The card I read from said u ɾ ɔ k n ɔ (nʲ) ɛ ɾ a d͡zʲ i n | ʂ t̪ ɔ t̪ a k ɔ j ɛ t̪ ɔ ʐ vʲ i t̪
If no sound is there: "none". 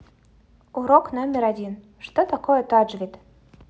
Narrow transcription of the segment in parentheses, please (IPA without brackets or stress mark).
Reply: mʲ